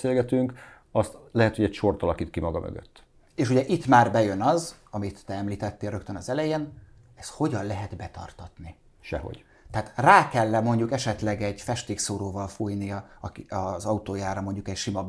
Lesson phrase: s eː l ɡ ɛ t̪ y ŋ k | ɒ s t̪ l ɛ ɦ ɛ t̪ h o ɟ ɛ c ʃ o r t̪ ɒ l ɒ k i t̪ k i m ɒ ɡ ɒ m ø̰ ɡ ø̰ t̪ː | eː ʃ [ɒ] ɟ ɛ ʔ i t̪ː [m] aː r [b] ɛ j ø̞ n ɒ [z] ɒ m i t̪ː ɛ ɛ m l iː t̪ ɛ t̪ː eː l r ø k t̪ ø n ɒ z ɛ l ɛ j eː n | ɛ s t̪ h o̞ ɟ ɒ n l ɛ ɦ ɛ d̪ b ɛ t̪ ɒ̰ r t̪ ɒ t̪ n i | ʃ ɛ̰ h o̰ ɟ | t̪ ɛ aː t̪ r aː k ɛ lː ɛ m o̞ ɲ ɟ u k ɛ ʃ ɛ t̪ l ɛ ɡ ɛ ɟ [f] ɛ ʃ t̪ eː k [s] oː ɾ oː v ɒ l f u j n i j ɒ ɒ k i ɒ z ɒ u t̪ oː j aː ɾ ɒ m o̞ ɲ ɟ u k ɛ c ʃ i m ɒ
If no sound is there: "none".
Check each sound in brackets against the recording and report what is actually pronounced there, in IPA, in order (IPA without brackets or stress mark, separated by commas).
u, m, b, z, f, s